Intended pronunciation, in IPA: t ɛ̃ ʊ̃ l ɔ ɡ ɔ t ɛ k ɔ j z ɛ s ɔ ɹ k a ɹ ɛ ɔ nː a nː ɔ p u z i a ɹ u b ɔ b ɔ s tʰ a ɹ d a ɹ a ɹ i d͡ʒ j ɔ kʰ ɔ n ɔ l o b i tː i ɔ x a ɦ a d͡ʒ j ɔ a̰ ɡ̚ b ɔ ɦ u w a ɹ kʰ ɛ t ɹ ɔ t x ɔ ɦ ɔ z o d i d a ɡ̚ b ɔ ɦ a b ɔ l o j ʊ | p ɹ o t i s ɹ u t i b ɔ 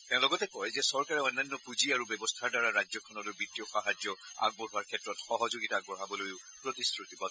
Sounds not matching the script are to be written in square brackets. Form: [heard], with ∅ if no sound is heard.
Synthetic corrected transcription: t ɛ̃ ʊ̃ l ɔ ɡ ɔ t ɛ k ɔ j z ɛ s ɔ ɹ k a ɹ ɛ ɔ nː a nː ɔ p u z i a ɹ u b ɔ b ɔ s tʰ a ɹ d a ɹ a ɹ [a] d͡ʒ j ɔ kʰ ɔ n ɔ l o b i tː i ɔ x a ɦ a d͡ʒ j ɔ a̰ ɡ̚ b ɔ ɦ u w a ɹ kʰ ɛ t ɹ ɔ t x ɔ ɦ ɔ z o [ɡ] i [t] a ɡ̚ b ɔ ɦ a b ɔ l o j ʊ | p ɹ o t i s ɹ u t i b ɔ